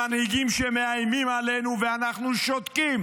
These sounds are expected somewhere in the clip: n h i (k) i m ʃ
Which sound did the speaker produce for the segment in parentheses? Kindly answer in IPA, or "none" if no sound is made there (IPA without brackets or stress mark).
ɡ